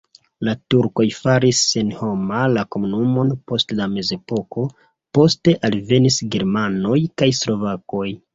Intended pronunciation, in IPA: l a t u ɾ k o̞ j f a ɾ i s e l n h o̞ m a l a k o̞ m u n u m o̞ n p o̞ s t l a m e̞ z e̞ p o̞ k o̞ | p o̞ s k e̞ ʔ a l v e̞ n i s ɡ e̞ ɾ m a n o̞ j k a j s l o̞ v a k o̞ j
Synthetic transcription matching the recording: l a t u ɾ k o̞ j f a ɾ i s e n h o̞ m a l a k o̞ m u n u m o̞ n p o̞ s t l a m e̞ z e̞ p o̞ k o̞ | p o̞ s t e̞ ʔ a l v e̞ n i s ɡ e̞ ɾ m a n o̞ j k a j s l o̞ v a k o̞ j